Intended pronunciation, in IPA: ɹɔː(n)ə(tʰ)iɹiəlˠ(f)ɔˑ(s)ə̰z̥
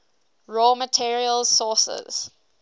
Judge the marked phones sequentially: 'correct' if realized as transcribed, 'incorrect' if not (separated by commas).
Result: incorrect, correct, incorrect, correct